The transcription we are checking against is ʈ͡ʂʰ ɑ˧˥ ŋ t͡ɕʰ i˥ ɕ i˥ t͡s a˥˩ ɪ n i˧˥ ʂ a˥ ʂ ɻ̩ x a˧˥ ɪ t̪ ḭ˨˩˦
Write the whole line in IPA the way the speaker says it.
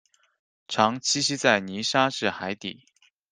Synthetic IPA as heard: ʈ͡ʂʰ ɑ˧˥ ŋ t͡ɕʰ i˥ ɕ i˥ t͡s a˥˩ ɪ n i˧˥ ʂ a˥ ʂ ɻ̩ x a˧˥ ɪ t̪ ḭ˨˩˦